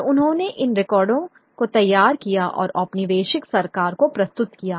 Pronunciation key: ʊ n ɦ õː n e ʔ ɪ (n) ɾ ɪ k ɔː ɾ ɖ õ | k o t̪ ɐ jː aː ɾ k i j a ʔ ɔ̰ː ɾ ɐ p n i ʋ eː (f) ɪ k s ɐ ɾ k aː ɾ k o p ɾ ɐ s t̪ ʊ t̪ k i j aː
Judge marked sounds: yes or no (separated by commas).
yes, no